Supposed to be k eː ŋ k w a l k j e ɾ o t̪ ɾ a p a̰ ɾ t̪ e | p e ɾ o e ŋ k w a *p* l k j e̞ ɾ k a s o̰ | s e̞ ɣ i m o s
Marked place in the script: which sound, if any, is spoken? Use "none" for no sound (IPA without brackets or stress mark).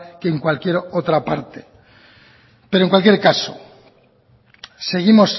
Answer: none